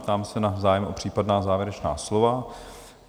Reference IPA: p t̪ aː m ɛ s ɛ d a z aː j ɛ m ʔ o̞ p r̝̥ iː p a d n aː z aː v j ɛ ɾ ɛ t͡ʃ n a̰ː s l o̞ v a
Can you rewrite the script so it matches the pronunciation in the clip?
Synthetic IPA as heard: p t̪ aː m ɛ s ɛ n a z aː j ɛ m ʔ o̞ p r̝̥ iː p a d n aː z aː v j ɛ ɾ ɛ t͡ʃ n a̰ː s l o̞ v a